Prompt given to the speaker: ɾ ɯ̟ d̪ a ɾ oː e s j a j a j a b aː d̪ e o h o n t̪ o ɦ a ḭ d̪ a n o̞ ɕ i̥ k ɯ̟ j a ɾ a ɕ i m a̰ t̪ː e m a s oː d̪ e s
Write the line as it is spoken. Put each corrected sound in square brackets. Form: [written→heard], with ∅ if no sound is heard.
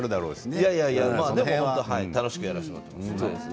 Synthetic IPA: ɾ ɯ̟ d̪ a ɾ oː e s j a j a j a [b→m] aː d̪ e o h o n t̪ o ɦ a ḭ [d̪→t̪] a n o̞ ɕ i̥ k ɯ̟ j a ɾ a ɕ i m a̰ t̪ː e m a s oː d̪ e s